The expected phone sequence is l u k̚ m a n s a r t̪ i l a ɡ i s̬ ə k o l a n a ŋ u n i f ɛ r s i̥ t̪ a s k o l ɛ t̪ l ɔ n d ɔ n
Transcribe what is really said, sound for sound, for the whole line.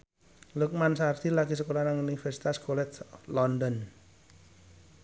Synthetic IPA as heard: l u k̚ m a n s a r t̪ i l a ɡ i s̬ ə k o l a n a ŋ u n i f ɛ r s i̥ t̪ a s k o l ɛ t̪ l ɔ n d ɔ n